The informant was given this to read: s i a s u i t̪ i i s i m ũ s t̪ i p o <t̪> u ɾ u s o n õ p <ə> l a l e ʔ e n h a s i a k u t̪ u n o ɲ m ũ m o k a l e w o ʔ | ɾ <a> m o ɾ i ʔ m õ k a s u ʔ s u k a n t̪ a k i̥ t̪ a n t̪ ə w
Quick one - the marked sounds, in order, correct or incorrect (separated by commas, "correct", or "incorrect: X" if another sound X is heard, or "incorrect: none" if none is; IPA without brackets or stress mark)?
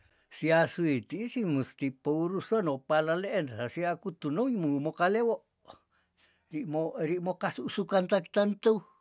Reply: incorrect: none, incorrect: a, incorrect: i